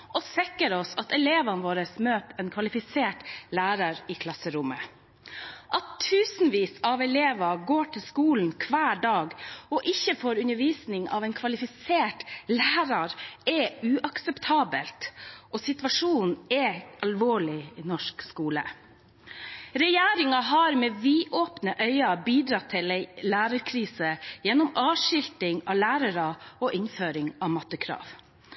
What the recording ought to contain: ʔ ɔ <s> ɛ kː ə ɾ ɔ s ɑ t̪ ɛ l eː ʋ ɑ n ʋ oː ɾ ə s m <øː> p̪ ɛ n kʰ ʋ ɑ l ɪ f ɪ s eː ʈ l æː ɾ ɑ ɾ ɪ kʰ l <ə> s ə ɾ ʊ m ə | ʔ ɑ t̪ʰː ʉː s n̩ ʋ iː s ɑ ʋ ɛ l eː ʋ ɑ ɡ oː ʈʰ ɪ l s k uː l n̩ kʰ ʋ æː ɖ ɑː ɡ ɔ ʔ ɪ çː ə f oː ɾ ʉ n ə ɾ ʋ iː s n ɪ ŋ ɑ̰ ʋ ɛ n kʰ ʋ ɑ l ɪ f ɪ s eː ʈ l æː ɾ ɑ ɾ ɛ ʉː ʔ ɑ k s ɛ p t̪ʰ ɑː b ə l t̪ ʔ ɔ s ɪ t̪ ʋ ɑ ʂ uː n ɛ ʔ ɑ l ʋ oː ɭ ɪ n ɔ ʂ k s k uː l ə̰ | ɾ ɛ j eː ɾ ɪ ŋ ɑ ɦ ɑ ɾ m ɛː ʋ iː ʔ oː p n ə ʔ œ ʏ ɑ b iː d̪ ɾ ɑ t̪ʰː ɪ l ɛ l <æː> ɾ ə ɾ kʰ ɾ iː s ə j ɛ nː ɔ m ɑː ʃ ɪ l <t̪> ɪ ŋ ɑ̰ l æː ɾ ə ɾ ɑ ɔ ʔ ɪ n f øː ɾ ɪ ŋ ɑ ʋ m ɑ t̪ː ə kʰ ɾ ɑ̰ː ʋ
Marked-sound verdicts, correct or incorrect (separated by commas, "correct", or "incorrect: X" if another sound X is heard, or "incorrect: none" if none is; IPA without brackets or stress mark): correct, correct, incorrect: ɑ, correct, correct